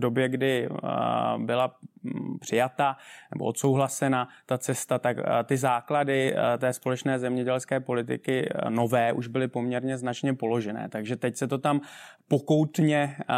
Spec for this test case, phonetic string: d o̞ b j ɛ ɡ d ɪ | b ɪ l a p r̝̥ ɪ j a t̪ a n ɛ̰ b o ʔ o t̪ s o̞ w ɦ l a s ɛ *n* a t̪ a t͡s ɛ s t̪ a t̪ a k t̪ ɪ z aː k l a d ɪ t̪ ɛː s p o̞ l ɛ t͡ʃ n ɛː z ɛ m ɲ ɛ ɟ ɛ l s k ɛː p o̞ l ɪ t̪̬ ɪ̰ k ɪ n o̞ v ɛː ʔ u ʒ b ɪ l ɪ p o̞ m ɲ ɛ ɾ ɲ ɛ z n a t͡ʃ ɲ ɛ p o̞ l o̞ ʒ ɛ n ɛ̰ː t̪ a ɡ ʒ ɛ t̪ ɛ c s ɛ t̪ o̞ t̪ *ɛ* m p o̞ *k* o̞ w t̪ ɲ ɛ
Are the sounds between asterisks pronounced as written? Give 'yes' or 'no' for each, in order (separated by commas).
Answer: yes, no, yes